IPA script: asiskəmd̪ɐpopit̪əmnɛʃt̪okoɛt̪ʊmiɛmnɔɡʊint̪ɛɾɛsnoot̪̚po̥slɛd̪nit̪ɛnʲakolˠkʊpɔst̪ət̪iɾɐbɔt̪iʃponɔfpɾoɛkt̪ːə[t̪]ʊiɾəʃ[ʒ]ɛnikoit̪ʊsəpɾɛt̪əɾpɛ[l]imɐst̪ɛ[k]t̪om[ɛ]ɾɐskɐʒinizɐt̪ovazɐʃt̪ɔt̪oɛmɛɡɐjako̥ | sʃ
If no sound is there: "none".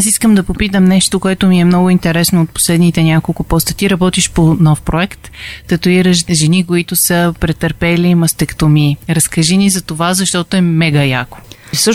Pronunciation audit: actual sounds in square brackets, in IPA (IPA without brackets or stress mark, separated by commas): t̪, ʒ, l, k, i